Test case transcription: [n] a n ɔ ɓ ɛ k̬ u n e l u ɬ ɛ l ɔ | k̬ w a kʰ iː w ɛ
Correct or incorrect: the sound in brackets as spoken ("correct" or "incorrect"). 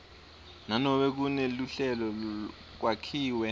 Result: correct